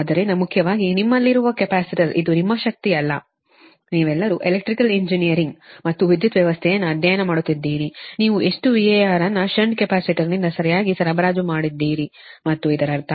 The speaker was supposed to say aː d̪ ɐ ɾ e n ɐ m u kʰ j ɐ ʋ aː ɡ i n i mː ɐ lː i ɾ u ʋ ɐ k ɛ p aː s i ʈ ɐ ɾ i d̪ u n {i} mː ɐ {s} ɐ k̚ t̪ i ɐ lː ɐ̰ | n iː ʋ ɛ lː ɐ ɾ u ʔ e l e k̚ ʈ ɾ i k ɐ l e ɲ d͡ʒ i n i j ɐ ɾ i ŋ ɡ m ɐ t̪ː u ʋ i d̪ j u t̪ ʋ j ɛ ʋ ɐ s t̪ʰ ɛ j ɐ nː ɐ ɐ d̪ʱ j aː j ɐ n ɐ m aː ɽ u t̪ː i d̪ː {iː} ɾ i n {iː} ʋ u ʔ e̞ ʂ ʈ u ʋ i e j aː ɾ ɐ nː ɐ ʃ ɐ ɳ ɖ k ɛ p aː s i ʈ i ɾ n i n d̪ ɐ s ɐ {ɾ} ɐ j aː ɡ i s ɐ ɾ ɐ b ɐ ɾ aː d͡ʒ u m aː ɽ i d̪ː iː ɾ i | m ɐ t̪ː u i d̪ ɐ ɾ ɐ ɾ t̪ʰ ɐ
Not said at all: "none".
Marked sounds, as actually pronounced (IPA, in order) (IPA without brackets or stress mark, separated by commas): i, ʃ, iː, iː, ɾ